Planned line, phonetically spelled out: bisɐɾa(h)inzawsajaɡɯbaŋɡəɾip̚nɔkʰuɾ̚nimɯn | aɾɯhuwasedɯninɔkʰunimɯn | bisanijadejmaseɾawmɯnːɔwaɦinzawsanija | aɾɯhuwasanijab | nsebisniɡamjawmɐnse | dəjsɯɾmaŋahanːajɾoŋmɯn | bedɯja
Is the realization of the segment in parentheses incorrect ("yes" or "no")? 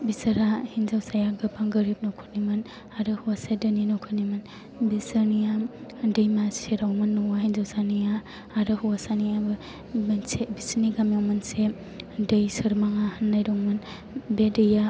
no